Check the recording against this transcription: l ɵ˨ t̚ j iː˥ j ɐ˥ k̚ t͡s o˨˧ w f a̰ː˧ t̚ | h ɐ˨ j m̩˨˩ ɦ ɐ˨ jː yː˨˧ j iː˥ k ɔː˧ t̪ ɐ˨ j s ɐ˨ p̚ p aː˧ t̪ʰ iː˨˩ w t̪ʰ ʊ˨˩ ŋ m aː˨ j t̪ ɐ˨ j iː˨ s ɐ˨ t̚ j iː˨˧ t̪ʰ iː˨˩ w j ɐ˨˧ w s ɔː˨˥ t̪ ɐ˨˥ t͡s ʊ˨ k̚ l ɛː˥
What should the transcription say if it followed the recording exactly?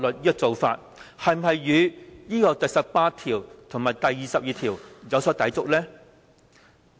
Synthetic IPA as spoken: l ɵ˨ t̚ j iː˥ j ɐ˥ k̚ t͡s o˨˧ w f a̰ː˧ t̚ | h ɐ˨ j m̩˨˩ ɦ ɐ˨ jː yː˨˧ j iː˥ k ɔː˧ t̪ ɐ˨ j s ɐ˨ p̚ p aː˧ t̪ʰ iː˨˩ w t̪ʰ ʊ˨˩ ŋ m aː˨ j t̪ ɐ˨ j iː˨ s ɐ˨ p̚ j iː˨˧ t̪ʰ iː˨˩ w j ɐ˨˧ w s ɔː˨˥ t̪ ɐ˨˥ t͡s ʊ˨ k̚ l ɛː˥